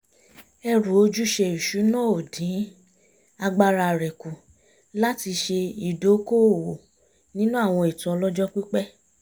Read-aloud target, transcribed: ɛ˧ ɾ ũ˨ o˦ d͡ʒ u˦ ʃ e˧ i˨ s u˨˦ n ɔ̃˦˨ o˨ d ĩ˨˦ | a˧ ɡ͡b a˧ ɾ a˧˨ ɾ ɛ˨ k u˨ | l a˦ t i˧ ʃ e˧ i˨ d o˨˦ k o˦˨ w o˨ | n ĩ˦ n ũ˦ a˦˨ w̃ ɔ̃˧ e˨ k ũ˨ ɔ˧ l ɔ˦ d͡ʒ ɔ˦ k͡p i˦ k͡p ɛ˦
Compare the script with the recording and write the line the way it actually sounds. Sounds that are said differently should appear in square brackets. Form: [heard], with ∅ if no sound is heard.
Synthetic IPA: ɛ˧ ɾ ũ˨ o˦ d͡ʒ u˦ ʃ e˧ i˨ [ʃ] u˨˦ n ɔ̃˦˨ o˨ d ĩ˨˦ | a˧ ɡ͡b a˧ ɾ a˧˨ ɾ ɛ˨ k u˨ | l a˦ t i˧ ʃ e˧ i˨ d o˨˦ k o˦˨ w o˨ | n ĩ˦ n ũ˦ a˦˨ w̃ ɔ̃˧ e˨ [t] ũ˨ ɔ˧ l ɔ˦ d͡ʒ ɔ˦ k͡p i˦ k͡p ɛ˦